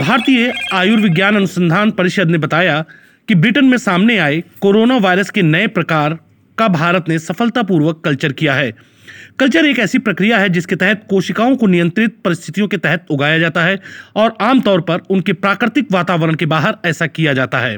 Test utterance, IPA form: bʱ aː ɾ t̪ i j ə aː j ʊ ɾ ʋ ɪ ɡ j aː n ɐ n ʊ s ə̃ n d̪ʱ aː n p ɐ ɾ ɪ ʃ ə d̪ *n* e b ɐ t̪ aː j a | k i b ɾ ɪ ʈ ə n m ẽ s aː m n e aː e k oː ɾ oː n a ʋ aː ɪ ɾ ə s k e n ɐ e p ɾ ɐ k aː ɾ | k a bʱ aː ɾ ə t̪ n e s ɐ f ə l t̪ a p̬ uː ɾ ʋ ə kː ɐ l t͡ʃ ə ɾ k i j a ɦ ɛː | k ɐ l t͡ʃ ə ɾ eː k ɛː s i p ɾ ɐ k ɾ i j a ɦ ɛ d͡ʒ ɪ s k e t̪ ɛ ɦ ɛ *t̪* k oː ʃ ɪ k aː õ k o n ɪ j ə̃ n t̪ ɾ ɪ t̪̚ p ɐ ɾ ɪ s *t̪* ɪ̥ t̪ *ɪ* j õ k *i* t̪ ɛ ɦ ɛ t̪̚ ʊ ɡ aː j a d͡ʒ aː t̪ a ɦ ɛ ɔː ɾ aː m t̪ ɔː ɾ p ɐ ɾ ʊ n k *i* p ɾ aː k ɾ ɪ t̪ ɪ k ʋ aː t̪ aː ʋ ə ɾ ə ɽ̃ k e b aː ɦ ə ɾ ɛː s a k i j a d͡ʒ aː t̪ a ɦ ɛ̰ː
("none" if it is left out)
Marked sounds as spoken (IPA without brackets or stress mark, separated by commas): n, t̪, t̪ʰ, i, e, e